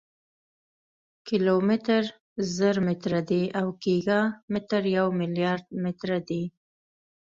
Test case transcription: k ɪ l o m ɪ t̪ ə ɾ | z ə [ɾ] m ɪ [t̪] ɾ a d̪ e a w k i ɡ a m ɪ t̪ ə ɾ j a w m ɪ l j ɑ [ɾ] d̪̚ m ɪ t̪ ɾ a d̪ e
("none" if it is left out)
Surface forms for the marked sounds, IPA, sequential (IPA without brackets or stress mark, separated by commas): ɾ, t̪, ɾ